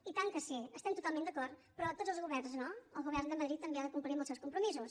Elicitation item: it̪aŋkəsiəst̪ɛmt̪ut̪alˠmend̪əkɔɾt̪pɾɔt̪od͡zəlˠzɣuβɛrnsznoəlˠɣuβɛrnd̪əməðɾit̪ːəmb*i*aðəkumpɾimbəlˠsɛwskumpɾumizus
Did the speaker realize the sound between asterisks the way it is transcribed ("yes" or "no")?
no